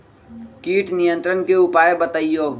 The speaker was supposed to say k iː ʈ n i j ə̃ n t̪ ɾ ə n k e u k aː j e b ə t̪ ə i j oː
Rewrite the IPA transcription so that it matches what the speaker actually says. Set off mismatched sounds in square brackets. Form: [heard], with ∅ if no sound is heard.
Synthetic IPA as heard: k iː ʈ n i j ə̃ n t̪ ɾ ə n k e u [p] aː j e b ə t̪ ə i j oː